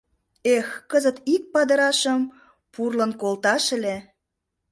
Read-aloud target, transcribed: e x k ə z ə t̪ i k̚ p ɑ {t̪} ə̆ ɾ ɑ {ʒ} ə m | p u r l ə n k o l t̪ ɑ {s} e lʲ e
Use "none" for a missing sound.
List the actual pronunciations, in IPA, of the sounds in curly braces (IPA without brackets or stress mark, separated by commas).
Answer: d̪, ʃ, ʃ